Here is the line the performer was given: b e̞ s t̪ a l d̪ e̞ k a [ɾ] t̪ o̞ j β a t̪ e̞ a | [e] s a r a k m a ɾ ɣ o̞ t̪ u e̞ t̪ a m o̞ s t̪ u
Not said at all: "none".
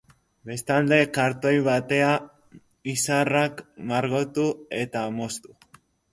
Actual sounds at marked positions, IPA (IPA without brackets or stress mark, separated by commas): ɾ, i